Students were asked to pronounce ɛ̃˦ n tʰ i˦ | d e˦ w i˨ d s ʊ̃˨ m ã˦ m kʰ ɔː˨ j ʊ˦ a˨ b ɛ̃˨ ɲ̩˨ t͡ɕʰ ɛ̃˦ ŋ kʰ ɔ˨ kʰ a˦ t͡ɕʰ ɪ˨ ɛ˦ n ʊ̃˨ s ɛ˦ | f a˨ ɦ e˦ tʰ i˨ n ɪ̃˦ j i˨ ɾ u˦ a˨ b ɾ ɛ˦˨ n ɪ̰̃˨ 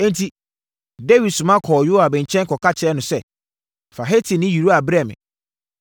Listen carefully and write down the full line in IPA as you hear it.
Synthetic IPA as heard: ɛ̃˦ n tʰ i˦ | d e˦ w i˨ d s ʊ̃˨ m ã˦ kʰ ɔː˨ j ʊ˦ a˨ b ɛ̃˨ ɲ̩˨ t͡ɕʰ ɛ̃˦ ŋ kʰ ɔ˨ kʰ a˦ t͡ɕʰ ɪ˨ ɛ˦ n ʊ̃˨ s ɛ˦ | f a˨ ɦ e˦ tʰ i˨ n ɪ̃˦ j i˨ ɾ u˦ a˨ b ɾ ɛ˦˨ m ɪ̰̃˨